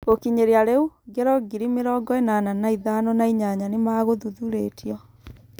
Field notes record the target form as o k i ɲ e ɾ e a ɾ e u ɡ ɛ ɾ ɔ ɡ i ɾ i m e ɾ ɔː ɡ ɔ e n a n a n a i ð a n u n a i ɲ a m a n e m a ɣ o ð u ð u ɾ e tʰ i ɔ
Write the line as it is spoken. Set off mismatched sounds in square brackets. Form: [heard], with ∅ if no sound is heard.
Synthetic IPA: o k i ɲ e ɾ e a ɾ e u ɡ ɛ ɾ ɔ ɡ i ɾ i m e ɾ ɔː ɡ ɔ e n a n a n a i ð a n [ɔ] n a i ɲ a [ɲ] a n e m a ɣ o ð u ð u ɾ e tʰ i ɔ